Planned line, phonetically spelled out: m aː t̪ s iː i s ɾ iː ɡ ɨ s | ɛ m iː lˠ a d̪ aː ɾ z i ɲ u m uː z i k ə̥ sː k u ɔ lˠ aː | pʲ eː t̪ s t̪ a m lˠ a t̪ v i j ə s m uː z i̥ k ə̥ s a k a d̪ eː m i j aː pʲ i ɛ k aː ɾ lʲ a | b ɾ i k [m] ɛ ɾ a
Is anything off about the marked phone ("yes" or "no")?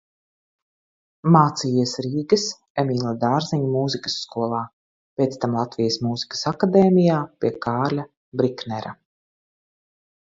yes